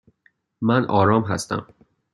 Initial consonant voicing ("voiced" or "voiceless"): voiced